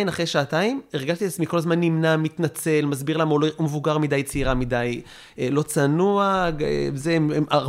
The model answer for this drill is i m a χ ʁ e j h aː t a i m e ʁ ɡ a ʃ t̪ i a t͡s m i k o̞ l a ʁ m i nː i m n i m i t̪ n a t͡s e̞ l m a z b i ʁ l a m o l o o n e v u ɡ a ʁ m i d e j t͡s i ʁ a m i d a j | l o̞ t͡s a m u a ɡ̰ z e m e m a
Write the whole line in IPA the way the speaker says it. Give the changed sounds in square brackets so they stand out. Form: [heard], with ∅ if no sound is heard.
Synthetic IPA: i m a χ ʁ e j [ʃ] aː t a i m e ʁ ɡ a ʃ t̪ i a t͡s m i k o̞ l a [z] m [a] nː i m n [a] m i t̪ n a t͡s e̞ l m a z b i ʁ l a m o l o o [m] e v u ɡ a ʁ m i d [a] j t͡s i ʁ a m i d a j | l o̞ t͡s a [n] u a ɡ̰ z e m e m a